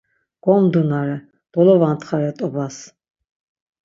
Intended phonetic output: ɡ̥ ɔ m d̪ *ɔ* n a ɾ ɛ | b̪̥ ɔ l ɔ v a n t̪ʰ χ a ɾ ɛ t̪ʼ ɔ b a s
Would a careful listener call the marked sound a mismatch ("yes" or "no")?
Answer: yes